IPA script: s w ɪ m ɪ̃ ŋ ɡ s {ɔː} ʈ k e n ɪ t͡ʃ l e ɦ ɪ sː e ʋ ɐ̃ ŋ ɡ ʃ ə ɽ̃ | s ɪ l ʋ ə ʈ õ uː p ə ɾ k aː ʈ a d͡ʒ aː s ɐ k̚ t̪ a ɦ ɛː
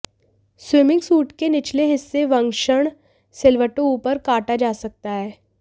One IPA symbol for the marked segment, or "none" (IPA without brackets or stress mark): uː